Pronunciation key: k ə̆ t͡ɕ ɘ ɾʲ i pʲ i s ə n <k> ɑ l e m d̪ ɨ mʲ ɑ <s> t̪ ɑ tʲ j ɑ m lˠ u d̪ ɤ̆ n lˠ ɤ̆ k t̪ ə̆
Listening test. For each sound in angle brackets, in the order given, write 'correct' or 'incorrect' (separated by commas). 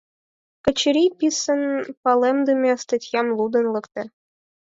incorrect, correct